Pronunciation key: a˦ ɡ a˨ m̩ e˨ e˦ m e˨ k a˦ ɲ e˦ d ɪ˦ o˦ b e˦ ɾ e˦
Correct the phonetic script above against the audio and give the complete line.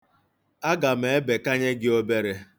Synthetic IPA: a˦ ɡ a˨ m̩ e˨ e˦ b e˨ k a˦ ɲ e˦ ɡ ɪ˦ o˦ b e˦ ɾ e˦

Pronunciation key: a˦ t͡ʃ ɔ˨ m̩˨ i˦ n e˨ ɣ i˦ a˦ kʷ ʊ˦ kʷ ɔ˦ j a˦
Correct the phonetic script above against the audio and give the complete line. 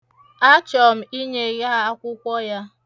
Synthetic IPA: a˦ t͡ʃ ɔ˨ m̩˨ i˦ ɲ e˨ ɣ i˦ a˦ kʷ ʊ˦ kʷ ɔ˦ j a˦

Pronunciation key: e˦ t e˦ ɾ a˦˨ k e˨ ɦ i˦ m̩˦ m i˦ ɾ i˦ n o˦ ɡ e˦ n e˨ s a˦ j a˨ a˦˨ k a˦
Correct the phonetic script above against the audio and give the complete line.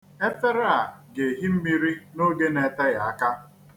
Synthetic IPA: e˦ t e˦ ɾ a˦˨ ɡ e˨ ɦ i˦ m̩˦ m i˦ ɾ i˦ n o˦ ɡ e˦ n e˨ t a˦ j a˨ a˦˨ k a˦

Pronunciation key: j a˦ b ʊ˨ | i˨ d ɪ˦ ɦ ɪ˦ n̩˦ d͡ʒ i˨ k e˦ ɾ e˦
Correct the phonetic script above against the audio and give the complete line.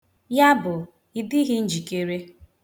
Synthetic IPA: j a˦ b ʊ˨ | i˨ d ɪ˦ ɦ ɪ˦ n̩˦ d͡ʒ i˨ k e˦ ɾ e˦

